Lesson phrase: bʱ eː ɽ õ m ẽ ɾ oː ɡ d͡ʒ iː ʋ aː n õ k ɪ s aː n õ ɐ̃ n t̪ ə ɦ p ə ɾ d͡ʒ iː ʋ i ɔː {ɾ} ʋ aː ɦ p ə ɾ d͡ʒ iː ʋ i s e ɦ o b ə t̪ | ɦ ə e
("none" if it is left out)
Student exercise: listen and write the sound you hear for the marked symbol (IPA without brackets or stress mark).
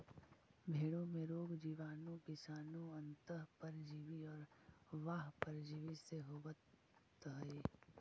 ɾ